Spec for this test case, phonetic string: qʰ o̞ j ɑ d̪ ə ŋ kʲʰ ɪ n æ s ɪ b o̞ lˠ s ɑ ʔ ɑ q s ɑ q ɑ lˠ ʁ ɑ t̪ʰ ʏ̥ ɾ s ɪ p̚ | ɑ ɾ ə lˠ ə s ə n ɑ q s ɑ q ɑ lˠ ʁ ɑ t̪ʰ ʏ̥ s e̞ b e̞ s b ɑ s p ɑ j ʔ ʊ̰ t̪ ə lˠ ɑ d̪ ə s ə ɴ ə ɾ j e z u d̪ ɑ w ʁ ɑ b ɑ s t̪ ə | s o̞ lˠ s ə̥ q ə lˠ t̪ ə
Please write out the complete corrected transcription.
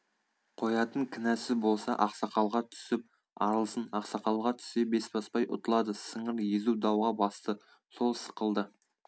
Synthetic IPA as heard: qʰ o̞ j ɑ t̪ ə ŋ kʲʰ ɪ n æ s ɪ b o̞ lˠ s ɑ ʔ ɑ q s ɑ q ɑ lˠ ʁ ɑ t̪ʰ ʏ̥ s ɪ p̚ | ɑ ɾ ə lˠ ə s ə n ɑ q s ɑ q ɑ lˠ ʁ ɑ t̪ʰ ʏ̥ s e̞ b e̞ s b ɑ s p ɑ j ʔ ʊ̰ t̪ ə lˠ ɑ d̪ ə s ə ɴ ə ɾ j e z u d̪ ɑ w ʁ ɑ b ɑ s t̪ ə | s o̞ lˠ s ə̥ q ə lˠ d̪ ə